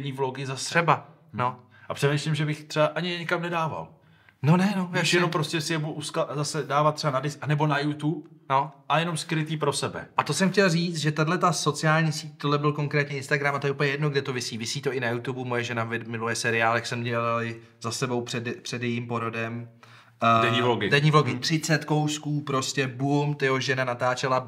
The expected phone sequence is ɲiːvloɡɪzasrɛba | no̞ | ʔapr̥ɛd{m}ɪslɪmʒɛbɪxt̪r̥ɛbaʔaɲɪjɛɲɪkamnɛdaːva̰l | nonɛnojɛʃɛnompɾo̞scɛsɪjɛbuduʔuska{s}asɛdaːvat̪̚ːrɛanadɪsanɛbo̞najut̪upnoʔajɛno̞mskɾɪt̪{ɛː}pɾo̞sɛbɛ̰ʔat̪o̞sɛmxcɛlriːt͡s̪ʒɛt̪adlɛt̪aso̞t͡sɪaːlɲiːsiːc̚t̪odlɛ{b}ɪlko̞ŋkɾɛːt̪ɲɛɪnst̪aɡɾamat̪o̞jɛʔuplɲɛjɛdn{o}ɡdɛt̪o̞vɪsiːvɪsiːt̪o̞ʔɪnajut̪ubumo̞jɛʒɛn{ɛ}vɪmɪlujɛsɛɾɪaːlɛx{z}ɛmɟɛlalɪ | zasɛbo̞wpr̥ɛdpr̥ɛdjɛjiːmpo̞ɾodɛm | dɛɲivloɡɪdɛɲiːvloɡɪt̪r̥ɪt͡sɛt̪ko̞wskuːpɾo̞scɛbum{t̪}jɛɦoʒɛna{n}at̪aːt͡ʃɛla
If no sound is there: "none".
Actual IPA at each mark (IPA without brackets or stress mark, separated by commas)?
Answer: m, z, iː, b, o, a, s, t̪, n